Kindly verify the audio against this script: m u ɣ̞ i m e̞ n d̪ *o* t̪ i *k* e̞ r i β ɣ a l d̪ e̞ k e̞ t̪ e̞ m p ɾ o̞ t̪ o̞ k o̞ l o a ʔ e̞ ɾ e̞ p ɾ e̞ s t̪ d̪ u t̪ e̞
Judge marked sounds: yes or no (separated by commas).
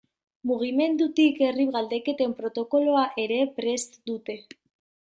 no, yes